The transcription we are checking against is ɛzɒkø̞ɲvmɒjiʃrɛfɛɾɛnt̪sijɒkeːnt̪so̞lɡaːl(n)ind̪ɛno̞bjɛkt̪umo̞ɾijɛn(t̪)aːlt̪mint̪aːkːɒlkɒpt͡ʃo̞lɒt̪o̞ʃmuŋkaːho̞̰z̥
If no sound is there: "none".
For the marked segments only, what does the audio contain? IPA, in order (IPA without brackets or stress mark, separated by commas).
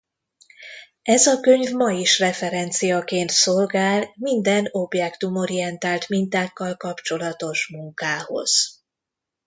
m, t̪